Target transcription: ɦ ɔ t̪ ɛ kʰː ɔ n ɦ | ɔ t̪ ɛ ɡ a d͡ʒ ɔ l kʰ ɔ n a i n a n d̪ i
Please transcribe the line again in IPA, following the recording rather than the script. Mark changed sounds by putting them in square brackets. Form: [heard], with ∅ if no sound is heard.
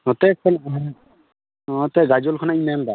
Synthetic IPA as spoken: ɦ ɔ t̪ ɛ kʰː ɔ n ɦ | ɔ t̪ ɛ ɡ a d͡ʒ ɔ l kʰ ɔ n a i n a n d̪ [a]

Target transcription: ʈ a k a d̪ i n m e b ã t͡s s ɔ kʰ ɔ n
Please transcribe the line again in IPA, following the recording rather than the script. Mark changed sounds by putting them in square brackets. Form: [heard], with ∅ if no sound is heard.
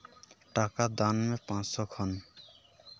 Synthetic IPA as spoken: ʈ a k a d̪ [a] n m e [p] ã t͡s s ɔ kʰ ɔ n

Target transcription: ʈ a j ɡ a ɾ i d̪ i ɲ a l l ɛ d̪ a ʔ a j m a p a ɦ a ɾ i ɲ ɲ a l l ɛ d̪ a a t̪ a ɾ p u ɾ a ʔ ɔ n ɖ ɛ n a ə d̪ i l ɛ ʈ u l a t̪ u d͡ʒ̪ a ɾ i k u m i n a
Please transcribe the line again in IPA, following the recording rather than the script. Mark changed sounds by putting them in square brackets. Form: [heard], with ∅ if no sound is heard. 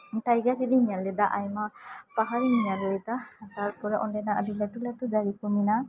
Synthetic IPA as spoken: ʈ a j ɡ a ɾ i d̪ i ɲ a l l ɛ d̪ a ʔ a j m a p a ɦ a ɾ i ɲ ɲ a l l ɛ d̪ a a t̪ a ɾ p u ɾ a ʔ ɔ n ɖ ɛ n a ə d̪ i l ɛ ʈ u l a t̪ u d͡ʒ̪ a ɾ i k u m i n a

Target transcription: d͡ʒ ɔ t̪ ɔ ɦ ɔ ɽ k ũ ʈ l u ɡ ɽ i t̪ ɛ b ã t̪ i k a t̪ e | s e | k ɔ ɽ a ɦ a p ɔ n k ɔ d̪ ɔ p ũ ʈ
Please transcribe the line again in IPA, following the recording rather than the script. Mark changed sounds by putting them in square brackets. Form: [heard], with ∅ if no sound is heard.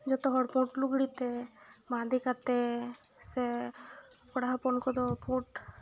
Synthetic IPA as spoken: d͡ʒ ɔ t̪ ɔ ɦ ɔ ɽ [p] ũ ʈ l u ɡ ɽ i t̪ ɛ b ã [d̪] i k a t̪ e | s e | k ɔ ɽ a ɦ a p ɔ n k ɔ d̪ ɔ p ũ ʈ

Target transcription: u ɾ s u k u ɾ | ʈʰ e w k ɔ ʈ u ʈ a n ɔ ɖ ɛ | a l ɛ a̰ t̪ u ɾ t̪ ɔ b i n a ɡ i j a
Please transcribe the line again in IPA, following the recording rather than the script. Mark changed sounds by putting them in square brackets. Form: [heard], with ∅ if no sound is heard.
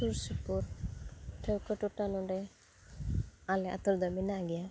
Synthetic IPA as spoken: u ɾ s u [p] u ɾ | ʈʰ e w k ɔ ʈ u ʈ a n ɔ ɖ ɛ | a l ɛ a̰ t̪ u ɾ [d̪] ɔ [m] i n a ɡ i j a

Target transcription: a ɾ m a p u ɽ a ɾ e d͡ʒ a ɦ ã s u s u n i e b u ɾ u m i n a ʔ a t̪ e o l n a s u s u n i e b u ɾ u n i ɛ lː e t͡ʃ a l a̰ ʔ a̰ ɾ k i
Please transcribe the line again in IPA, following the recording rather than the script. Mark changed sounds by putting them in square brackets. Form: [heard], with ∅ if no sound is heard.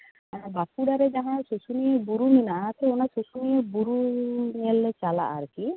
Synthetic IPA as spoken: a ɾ [b] a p u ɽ a ɾ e d͡ʒ a ɦ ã s u s u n i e b u ɾ u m i n a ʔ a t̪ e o [∅] n a s u s u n i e b u ɾ u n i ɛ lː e t͡ʃ a l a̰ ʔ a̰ ɾ k i

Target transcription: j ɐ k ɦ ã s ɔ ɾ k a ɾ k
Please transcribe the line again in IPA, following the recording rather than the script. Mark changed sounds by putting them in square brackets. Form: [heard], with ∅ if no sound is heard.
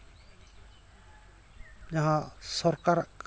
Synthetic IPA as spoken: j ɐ [∅] ɦ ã s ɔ ɾ k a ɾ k

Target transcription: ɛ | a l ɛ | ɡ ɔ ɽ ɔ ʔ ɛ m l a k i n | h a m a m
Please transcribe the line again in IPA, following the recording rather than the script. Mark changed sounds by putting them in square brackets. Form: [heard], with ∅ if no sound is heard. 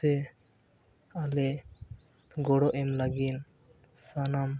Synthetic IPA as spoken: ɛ | a l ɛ | ɡ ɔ ɽ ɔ ʔ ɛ m l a [ɡ] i n | [s] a [n] a m

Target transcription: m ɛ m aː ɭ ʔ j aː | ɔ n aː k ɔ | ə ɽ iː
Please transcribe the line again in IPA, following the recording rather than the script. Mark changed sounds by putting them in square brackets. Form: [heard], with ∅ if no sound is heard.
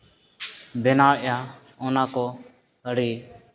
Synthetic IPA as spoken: [b] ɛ [n] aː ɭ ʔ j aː | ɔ n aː k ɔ | ə ɽ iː

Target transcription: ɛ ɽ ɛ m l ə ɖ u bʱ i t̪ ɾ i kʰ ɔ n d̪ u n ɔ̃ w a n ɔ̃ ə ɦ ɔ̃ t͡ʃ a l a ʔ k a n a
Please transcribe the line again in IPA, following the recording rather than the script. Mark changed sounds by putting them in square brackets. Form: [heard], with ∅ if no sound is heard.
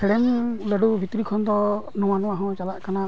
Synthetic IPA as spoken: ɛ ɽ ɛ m l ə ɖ u bʱ i t̪ ɾ i kʰ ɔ n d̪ [ɔ] n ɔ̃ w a n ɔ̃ [a] ɦ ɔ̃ t͡ʃ a l a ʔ k a n a

